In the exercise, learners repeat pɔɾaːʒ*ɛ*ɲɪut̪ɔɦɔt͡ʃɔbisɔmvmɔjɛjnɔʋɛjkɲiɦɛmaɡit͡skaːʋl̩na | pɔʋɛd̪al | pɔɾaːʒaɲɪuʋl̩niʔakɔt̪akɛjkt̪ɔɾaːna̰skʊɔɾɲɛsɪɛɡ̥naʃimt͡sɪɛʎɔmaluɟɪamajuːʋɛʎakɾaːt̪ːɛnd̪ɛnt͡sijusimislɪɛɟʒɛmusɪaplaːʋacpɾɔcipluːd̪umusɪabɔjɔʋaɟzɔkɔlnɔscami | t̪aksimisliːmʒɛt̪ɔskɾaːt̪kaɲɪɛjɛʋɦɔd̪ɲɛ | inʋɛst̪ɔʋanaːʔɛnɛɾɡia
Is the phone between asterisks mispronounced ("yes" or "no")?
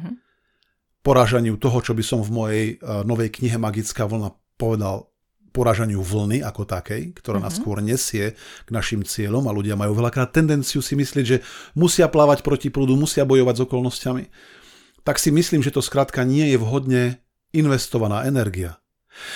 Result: yes